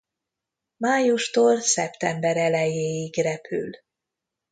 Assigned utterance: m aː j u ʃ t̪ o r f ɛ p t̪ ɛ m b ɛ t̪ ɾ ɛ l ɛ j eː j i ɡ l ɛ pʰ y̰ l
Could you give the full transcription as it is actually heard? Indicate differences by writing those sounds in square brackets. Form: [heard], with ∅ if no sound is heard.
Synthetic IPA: m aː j u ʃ t̪ o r [s] ɛ p t̪ ɛ m b ɛ [∅] ɾ ɛ l ɛ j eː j i ɡ [r] ɛ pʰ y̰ l